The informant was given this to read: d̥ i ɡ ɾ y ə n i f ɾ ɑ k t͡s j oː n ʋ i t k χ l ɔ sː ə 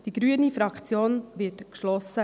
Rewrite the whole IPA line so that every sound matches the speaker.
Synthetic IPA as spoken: d̥ i ɡ ɾ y ə n i f ɾ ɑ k t͡s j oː n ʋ ɪ t k ʃ l ɔ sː ə